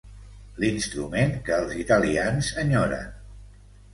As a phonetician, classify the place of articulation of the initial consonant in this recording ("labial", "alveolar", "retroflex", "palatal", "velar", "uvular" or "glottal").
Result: alveolar